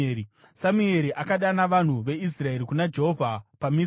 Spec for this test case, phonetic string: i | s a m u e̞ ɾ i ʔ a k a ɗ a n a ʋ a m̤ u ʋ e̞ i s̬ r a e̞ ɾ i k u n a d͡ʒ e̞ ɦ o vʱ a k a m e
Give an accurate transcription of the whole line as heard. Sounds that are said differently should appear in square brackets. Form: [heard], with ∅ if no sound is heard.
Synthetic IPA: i | s a m u e̞ ɾ i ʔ a k a ɗ a n a ʋ a [n̤] u ʋ e̞ i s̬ r a e̞ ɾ i k u n a d͡ʒ e̞ ɦ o vʱ a [p] a m [i]